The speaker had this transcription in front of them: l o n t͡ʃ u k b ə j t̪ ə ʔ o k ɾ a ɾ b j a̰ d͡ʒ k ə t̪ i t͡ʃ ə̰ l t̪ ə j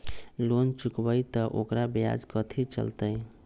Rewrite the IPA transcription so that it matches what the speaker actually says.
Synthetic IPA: l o n t͡ʃ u k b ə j t̪ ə ʔ o k ɾ a b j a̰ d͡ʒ k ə t̪ʰ i t͡ʃ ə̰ l t̪ ə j